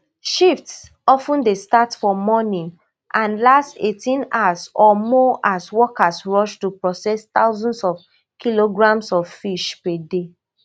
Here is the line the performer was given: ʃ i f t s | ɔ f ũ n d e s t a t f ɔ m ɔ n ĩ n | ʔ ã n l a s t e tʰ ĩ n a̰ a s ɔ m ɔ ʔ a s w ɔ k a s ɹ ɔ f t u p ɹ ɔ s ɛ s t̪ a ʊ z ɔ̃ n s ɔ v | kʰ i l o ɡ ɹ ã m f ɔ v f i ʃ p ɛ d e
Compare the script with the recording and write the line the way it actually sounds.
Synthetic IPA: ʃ i f t s | ɔ f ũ n d e s t a t f ɔ m ɔ n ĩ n | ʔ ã n l a s t e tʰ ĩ n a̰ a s ɔ m ɔ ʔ a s w ɔ k a s ɹ ɔ ʃ t u p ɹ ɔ s ɛ s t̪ a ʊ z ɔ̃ n s ɔ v | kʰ i l o ɡ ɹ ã m s ɔ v f i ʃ p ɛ d e